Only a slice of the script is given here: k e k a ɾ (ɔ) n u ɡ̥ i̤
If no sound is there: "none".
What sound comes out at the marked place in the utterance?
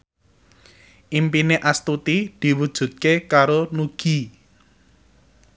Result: o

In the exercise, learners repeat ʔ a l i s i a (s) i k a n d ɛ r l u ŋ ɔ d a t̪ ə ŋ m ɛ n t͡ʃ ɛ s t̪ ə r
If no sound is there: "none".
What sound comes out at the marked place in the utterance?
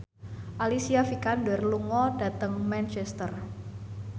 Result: f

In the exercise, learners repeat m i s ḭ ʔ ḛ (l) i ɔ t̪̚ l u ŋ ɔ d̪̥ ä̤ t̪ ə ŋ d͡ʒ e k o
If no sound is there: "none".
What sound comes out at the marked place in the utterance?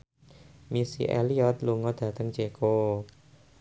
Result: l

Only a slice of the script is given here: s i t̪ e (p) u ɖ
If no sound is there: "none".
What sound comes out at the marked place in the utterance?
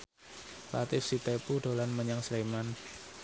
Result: p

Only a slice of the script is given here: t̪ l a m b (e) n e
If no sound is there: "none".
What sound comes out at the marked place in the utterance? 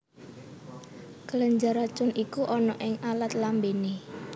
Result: e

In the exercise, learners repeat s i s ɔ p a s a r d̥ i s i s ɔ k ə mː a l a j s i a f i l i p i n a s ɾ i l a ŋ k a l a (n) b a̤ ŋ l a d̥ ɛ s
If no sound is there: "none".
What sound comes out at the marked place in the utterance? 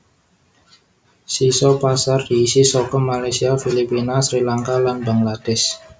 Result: n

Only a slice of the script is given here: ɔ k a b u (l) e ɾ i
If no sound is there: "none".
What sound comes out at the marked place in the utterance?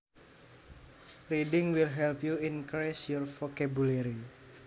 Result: l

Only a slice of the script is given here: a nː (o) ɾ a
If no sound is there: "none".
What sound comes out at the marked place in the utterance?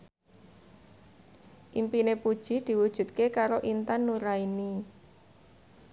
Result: u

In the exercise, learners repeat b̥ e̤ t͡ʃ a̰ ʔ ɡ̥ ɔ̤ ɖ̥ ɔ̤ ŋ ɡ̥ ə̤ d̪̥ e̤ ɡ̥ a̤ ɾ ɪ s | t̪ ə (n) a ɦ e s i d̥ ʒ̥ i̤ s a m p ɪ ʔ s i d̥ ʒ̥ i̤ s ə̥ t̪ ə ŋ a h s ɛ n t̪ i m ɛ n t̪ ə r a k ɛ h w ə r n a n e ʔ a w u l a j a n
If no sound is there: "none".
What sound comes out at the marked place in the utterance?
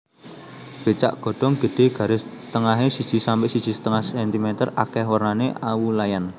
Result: ŋ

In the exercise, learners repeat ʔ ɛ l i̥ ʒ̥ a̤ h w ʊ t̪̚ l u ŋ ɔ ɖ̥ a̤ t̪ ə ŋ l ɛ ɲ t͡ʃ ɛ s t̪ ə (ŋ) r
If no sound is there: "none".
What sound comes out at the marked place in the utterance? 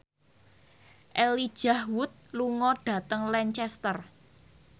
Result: none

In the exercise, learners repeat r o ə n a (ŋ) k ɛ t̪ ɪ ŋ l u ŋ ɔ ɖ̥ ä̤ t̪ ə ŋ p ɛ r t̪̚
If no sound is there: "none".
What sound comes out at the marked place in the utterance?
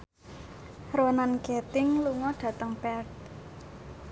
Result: n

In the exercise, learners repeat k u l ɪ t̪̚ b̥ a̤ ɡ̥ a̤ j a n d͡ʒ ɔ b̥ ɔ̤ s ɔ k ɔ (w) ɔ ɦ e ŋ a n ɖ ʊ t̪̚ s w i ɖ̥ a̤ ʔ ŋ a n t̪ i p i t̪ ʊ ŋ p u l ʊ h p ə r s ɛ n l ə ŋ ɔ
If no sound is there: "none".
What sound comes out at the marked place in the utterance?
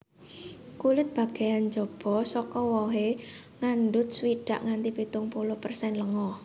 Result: w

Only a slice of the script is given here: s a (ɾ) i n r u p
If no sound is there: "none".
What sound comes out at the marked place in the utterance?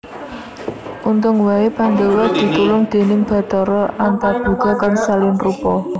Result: l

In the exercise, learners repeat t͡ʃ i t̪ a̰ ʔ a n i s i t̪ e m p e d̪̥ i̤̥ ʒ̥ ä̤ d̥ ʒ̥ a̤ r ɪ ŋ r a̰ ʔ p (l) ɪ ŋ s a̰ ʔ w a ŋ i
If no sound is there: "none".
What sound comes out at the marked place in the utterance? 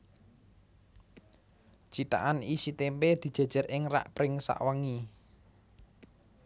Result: ɾ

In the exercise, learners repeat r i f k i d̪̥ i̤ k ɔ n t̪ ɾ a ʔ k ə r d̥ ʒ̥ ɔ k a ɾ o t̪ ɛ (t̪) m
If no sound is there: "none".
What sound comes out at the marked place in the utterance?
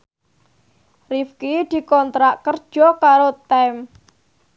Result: none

